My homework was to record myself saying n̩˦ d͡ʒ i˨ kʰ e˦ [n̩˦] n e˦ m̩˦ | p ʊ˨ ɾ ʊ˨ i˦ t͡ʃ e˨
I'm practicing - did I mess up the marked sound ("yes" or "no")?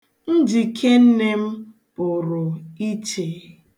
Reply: no